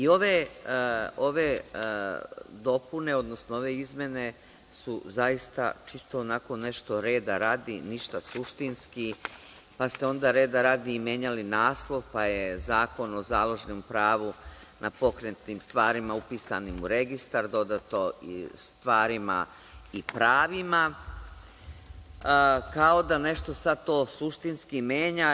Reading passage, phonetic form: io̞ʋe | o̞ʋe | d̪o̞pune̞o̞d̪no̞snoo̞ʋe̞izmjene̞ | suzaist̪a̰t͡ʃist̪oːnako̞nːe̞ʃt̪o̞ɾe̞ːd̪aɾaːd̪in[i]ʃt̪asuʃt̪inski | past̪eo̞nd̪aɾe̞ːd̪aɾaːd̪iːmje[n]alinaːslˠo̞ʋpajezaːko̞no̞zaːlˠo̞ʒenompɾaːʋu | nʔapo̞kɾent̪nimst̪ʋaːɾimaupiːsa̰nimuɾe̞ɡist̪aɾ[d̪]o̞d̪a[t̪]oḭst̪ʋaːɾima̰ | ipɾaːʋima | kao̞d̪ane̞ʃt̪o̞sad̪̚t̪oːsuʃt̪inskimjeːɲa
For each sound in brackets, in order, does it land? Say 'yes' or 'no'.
yes, no, yes, yes

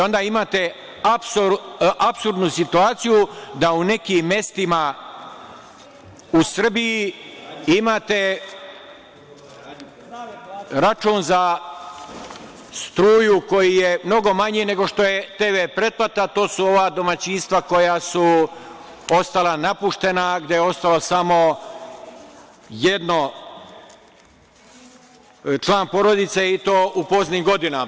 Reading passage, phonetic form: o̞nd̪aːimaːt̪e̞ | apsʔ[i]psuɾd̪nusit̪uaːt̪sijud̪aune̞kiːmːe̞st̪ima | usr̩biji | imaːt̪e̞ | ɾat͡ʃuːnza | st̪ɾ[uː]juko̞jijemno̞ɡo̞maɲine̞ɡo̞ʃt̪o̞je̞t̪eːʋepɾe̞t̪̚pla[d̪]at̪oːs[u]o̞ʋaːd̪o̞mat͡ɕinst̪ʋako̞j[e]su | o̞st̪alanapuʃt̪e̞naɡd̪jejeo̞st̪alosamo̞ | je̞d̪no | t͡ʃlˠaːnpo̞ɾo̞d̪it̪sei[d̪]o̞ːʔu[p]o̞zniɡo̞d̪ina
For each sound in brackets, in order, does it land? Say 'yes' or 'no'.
no, yes, no, yes, no, no, yes

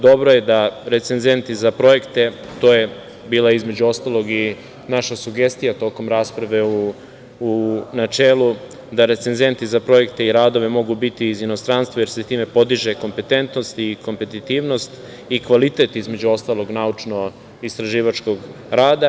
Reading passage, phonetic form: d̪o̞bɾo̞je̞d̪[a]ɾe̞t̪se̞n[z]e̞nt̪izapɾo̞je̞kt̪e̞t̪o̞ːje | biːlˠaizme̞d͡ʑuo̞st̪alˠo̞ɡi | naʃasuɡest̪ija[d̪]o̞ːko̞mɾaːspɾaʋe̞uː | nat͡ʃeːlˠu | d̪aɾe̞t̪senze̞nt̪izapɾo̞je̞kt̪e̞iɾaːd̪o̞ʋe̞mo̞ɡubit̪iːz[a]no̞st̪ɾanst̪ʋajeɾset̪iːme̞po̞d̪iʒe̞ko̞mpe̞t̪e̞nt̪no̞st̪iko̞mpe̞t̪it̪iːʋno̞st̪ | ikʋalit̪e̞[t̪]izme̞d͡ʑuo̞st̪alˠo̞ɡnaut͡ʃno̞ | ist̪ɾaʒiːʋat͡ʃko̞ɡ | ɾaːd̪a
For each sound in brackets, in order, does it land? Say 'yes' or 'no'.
yes, yes, no, no, yes

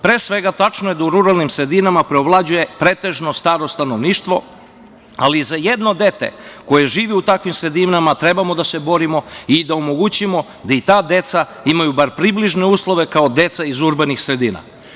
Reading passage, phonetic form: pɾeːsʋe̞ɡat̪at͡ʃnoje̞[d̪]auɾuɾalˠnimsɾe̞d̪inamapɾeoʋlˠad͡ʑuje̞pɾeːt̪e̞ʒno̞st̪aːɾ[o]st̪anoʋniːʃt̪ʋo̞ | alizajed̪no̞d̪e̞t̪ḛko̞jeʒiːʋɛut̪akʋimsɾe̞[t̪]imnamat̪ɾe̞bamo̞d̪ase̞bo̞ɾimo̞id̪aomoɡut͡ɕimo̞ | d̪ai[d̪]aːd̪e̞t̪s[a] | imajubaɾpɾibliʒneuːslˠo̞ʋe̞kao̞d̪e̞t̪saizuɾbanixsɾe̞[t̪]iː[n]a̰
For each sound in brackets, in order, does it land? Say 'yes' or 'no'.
yes, yes, no, no, yes, no, yes

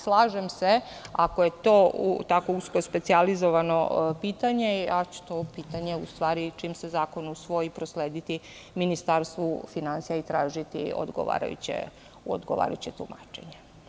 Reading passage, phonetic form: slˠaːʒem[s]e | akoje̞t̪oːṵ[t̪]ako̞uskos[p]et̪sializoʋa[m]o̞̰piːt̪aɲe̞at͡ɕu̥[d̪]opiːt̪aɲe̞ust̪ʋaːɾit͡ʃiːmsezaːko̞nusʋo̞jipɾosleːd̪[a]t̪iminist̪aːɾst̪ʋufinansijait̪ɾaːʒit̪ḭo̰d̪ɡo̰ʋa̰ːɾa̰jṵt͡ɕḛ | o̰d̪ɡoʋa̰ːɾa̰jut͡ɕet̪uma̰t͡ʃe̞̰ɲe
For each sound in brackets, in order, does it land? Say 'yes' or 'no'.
yes, yes, yes, no, no, no

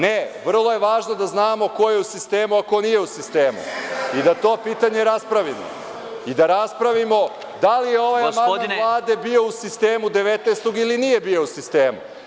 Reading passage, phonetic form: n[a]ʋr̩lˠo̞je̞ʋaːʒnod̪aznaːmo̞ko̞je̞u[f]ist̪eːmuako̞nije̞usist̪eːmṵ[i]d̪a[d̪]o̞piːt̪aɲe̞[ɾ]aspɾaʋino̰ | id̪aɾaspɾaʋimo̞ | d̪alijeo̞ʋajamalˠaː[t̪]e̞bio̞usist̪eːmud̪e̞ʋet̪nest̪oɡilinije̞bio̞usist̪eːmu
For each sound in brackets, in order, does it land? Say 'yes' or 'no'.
no, no, yes, no, yes, no

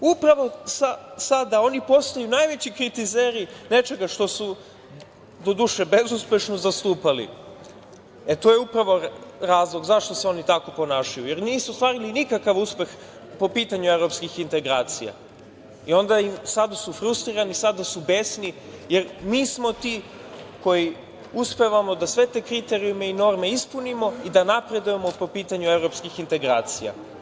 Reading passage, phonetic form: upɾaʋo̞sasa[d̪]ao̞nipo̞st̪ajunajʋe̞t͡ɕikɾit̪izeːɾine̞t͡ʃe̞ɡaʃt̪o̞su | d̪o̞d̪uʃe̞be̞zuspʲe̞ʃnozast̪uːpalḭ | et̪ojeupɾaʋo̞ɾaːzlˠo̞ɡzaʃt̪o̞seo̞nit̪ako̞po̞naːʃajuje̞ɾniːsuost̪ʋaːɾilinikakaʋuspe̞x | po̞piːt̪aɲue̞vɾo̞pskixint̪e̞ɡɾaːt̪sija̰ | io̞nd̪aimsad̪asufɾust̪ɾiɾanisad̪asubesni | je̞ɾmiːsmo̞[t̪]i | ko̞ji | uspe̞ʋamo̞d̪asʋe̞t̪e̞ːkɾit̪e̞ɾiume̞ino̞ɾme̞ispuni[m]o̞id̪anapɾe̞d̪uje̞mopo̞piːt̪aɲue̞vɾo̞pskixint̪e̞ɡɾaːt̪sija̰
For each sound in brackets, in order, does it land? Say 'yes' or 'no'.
yes, yes, yes

